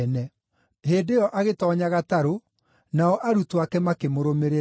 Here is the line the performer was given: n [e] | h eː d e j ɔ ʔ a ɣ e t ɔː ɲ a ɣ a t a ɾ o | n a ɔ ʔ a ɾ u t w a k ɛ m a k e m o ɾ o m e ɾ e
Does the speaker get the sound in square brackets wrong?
yes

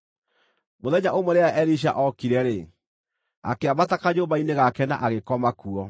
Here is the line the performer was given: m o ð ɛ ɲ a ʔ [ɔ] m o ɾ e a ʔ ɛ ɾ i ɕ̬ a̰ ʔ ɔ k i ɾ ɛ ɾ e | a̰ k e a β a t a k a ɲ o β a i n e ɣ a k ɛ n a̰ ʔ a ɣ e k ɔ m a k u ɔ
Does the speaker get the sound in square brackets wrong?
yes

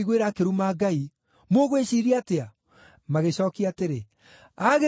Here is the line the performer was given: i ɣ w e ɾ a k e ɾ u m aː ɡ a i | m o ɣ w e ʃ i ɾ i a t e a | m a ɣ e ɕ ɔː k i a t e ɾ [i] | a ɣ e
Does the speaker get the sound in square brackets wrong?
yes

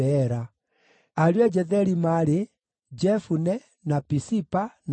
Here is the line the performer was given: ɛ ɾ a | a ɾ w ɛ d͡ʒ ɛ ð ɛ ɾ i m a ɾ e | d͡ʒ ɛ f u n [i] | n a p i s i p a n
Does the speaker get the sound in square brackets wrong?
yes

